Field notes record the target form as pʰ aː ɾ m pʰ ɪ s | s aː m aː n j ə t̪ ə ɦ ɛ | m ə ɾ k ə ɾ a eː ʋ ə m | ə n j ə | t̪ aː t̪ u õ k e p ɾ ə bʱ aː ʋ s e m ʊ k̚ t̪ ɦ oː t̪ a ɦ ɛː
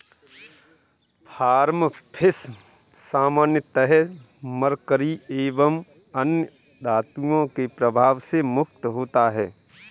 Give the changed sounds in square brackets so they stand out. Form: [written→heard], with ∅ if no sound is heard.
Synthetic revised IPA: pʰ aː ɾ m pʰ ɪ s | s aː m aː n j ə t̪ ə ɦ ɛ | m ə ɾ k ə ɾ [a→i] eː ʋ ə m | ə n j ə | [t̪→d̪] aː t̪ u õ k e p ɾ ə bʱ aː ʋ s e m ʊ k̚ t̪ ɦ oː t̪ a ɦ ɛː